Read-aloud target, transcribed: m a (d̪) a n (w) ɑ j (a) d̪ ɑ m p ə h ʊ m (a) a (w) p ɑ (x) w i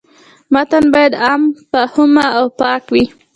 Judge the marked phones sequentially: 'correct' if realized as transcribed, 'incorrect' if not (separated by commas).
incorrect, incorrect, correct, correct, correct, incorrect